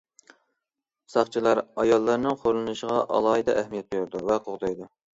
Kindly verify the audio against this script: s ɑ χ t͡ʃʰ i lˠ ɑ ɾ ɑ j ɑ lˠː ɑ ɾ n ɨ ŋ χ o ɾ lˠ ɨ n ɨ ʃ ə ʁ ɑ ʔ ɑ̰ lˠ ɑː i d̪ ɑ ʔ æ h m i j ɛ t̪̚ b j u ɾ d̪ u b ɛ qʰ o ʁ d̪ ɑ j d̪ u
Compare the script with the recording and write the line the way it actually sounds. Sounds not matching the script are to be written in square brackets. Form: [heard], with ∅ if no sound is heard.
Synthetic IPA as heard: s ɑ χ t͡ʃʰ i lˠ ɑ ɾ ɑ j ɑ lˠː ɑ ɾ n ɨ ŋ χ o ɾ lˠ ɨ n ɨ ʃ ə ʁ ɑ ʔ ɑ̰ lˠ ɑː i d̪ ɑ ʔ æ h m i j ɛ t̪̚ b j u ɾ d̪ u [v] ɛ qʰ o ʁ d̪ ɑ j d̪ u

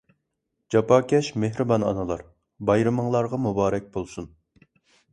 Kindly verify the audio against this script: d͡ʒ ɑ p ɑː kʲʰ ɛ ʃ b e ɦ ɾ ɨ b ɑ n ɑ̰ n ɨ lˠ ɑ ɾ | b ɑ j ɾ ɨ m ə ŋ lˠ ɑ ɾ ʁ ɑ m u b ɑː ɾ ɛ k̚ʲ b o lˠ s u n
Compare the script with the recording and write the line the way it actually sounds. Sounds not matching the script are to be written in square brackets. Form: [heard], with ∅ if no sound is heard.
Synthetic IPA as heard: d͡ʒ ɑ p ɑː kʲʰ ɛ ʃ [m] e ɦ ɾ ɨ b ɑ n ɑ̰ n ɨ lˠ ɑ ɾ | b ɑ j ɾ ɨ m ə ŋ lˠ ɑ ɾ ʁ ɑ m u b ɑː ɾ ɛ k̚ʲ b o lˠ s u n

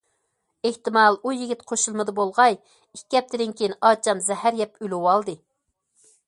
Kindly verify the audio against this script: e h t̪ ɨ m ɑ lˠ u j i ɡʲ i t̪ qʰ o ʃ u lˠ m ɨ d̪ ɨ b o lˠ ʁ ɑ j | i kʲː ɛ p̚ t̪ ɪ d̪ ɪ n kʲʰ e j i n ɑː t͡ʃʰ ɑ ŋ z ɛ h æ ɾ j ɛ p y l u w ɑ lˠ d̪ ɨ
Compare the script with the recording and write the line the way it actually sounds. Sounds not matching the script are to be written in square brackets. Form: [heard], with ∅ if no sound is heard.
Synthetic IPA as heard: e h t̪ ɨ m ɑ lˠ u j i ɡʲ i t̪ qʰ o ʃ u lˠ m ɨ d̪ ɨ b o lˠ ʁ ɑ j | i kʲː ɛ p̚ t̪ ɪ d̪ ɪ n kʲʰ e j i n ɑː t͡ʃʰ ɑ [m] z ɛ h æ ɾ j ɛ p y l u w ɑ lˠ d̪ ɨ

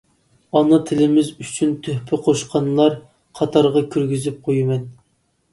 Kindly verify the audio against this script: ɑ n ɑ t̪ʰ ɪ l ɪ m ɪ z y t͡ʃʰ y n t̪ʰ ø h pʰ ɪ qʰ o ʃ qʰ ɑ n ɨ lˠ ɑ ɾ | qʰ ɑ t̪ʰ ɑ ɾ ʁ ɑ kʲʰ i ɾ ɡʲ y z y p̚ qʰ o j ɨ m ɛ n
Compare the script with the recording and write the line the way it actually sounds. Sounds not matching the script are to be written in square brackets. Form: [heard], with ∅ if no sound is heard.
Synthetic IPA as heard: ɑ n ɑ t̪ʰ ɪ l ɪ m ɪ z y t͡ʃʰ y n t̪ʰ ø h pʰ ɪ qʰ o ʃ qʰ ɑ n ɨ lˠ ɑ ɾ | qʰ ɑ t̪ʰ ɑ ɾ ʁ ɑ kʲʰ [y] ɾ ɡʲ y z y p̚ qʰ o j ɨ m ɛ n

